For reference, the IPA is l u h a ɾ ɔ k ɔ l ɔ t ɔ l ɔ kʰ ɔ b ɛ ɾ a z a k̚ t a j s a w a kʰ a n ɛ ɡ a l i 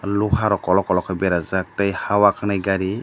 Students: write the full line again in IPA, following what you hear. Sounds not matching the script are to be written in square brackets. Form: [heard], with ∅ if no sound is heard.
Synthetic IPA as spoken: l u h a ɾ ɔ k ɔ l ɔ [k] ɔ l ɔ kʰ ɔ b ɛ ɾ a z a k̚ t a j [h] a w a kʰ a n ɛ ɡ a [ɾ] i